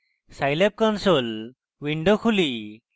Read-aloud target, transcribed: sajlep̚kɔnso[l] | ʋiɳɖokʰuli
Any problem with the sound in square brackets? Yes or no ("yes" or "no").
no